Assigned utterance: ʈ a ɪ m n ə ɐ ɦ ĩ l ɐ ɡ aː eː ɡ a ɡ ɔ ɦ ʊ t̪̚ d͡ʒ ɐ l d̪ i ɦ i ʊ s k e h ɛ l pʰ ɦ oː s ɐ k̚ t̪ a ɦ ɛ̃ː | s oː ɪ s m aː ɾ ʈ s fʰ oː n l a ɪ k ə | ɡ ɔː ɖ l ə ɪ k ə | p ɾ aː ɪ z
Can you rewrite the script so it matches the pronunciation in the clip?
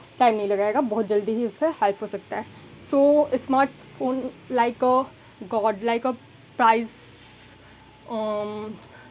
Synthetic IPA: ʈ a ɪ m n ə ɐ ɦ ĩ l ɐ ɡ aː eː ɡ a b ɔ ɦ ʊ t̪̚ d͡ʒ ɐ l d̪ i ɦ i ʊ s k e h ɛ l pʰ ɦ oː s ɐ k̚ t̪ a ɦ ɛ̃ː | s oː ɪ s m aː ɾ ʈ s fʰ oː n l a ɪ k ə | ɡ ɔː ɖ l a ɪ k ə | p ɾ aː ɪ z